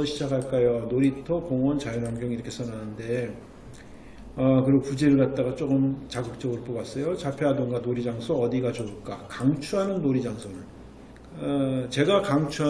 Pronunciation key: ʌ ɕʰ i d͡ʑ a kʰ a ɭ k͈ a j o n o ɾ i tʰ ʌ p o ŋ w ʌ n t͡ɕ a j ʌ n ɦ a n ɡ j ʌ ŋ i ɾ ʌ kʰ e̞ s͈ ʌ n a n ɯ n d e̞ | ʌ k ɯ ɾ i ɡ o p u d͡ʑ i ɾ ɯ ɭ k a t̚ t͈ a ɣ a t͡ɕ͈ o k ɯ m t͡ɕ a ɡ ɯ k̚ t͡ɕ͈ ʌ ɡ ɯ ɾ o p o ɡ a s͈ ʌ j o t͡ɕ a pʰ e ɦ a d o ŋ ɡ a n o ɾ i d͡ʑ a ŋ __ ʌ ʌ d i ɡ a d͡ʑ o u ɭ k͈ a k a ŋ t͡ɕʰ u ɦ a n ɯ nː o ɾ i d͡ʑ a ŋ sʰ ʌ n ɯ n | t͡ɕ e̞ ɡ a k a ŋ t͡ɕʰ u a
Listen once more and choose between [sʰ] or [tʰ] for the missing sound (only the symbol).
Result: sʰ